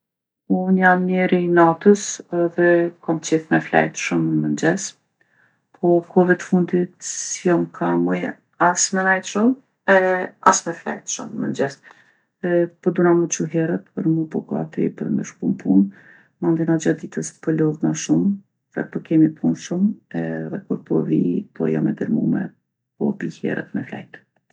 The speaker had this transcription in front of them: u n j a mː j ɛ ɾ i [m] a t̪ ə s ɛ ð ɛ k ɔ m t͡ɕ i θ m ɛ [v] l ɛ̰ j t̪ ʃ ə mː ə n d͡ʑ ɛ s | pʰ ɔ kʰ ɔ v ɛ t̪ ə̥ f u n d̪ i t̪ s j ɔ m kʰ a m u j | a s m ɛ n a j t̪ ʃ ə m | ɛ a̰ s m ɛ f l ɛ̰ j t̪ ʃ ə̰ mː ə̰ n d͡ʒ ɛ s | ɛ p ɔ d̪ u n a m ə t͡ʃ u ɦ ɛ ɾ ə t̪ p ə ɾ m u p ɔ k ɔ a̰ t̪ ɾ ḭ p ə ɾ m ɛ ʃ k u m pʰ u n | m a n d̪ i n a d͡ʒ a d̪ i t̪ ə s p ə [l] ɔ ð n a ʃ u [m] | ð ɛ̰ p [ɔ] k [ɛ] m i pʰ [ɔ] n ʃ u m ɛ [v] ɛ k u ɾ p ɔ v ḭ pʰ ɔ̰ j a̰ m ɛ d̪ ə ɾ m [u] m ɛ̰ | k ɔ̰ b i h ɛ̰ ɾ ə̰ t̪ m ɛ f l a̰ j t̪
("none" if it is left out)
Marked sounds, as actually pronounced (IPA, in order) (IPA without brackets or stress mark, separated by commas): n, f, l, m, ɔ, ɛ, u, ð, u